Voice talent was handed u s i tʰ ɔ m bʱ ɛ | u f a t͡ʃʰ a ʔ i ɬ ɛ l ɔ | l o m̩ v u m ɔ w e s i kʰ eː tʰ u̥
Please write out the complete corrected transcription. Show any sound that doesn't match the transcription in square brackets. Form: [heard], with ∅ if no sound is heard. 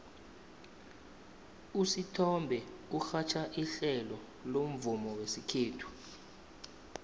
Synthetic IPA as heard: u s i tʰ ɔ m bʱ ɛ | u [x] a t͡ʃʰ a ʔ i ɬ ɛ l ɔ | l o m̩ v u m ɔ w e s i kʰ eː tʰ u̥